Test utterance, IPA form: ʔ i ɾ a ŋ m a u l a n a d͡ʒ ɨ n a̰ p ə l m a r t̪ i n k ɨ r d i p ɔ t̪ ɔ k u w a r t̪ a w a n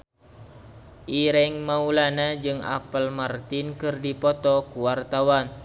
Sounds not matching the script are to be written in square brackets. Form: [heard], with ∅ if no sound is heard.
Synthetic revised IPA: ʔ i ɾ [ɛ] ŋ m a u l a n a d͡ʒ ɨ [ŋ] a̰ p ə l m a r t̪ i n k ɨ r d i p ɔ t̪ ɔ k u w a r t̪ a w a n